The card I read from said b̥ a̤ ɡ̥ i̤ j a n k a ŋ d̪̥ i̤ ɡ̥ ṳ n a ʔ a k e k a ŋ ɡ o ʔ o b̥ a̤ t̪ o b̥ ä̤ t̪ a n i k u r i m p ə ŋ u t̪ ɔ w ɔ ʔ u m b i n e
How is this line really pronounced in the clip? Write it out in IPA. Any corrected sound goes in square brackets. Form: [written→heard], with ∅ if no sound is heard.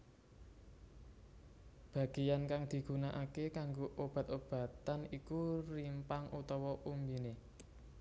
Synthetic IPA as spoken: b̥ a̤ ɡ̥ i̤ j a n k a ŋ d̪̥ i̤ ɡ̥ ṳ n a ʔ a k e k a ŋ ɡ o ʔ o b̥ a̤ t̪ o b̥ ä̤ t̪ a n i k u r i m p [ə→a] ŋ u t̪ ɔ w ɔ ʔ u m b i n e